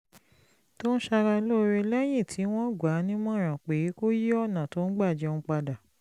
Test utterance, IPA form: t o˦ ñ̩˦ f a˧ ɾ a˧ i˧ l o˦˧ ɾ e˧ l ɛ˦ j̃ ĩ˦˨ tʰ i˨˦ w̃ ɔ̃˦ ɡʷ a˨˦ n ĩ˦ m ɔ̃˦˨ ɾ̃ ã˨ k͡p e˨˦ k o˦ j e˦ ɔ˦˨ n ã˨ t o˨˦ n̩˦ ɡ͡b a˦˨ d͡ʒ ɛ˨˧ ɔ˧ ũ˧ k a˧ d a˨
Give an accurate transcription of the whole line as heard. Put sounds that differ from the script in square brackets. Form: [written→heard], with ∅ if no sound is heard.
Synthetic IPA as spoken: t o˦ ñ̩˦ [f→ʃ] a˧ ɾ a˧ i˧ l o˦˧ ɾ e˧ l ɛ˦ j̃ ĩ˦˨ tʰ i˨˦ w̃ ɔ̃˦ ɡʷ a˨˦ n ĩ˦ m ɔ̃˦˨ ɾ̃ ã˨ k͡p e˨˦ k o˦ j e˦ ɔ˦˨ n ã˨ t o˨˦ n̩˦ ɡ͡b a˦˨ d͡ʒ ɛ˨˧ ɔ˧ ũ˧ [k→k͡p] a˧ d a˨

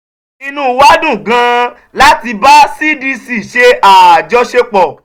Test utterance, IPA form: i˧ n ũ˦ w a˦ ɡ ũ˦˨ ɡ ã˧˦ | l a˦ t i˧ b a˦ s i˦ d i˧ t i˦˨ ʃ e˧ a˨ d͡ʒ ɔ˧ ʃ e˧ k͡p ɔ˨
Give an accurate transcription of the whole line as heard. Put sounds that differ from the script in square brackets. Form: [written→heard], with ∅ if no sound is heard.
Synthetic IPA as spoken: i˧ n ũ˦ w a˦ [ɡ→d] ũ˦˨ ɡ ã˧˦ | l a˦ t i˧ b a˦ s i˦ d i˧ [t→s] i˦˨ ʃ e˧ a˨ d͡ʒ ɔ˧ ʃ e˧ k͡p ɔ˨

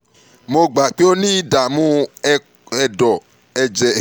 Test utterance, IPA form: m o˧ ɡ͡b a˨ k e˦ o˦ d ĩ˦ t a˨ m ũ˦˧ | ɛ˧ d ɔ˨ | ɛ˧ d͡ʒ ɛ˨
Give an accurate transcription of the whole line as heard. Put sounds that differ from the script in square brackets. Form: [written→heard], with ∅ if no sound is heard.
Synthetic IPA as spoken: m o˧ ɡ͡b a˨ [k→k͡p] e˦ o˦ [d→n] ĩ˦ [t→d] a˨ m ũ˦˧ | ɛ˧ d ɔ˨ | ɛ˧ d͡ʒ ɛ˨

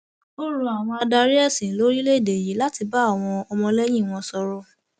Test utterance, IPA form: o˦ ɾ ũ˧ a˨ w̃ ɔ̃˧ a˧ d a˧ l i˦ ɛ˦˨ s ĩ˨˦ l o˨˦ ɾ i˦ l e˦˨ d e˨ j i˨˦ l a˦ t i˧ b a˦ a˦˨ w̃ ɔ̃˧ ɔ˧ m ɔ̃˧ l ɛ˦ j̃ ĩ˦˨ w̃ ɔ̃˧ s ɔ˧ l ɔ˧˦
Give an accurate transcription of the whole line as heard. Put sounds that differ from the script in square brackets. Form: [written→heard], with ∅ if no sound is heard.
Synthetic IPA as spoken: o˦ ɾ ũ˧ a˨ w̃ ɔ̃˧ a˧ d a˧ [l→ɾ] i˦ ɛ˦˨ s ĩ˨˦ l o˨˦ ɾ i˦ l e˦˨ d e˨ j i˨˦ l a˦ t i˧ b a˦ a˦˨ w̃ ɔ̃˧ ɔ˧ m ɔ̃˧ l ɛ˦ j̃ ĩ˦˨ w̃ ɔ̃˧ s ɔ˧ [l→ɾ] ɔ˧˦

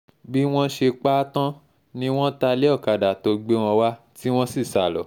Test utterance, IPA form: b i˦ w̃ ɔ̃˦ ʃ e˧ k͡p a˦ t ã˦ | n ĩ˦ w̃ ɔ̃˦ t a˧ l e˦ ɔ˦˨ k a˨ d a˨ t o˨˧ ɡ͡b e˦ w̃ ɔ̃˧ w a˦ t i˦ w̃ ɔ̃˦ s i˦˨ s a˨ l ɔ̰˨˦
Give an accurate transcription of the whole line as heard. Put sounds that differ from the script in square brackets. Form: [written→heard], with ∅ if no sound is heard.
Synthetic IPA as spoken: b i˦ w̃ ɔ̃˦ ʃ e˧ k͡p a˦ t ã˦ | n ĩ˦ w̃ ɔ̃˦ t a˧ l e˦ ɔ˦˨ k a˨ d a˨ t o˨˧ ɡ͡b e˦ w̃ ɔ̃˧ w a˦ t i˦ w̃ ɔ̃˦ s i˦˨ s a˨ l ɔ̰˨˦

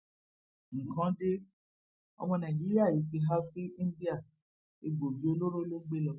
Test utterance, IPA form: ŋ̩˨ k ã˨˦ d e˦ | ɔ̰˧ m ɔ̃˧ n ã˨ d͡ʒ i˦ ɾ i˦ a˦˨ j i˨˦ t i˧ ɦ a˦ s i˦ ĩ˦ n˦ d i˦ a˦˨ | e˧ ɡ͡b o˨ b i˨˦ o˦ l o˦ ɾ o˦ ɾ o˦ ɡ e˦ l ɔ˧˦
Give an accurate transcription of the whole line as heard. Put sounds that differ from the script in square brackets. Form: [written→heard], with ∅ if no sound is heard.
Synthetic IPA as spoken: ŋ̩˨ k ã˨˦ d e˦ | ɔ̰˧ m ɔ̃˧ n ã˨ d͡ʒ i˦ ɾ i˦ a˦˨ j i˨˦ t i˧ ɦ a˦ [s→f] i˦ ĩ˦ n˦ d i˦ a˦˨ | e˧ ɡ͡b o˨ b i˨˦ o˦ l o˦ ɾ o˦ [ɾ→l] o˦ [ɡ→ɡ͡b] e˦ l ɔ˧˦

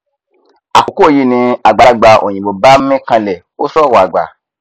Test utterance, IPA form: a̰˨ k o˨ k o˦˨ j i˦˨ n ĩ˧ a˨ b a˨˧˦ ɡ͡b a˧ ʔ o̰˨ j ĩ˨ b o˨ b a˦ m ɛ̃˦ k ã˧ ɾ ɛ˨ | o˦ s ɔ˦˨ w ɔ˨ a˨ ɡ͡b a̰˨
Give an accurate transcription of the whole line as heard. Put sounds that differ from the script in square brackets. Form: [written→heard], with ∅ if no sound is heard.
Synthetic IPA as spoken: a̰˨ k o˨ k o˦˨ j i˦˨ n ĩ˧ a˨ [b→ɡ͡b] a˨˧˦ ɡ͡b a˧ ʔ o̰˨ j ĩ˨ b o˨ b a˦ m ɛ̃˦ k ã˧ [ɾ→l] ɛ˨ | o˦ s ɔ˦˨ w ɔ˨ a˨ ɡ͡b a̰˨

